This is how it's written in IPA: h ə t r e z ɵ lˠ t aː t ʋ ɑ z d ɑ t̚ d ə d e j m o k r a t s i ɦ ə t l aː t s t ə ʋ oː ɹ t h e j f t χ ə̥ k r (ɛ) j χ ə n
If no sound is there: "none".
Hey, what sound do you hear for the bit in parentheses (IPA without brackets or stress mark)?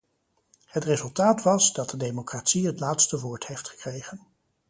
e